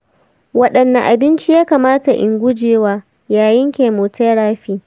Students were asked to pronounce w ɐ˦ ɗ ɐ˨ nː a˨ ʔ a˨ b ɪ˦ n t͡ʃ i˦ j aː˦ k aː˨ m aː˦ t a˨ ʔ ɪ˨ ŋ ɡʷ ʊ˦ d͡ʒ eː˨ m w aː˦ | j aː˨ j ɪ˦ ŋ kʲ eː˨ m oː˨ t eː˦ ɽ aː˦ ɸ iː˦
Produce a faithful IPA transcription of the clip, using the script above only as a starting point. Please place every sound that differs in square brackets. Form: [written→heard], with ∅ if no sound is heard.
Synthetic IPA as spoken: w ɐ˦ ɗ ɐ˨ nː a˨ ʔ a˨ b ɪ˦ n t͡ʃ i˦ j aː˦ k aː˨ m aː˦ t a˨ ʔ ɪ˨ ŋ ɡʷ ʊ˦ d͡ʒ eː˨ [m→∅] w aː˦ | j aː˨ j ɪ˦ ŋ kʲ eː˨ m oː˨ t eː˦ ɽ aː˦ ɸ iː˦